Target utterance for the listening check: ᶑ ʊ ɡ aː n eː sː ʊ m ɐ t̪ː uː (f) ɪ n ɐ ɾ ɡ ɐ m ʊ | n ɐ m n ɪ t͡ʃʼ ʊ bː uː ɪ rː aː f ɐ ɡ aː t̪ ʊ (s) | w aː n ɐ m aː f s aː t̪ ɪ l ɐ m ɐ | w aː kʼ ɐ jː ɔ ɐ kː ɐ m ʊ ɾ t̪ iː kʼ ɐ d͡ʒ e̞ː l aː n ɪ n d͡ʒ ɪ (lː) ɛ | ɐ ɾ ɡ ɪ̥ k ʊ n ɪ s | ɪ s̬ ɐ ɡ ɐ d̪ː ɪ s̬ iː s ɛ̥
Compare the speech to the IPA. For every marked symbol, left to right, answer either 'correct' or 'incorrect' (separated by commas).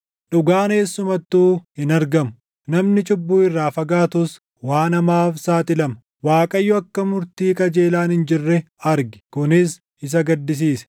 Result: incorrect, correct, incorrect